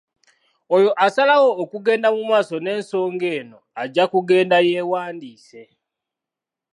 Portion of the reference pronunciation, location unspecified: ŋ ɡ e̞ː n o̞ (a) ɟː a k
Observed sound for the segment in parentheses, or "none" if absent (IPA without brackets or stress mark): a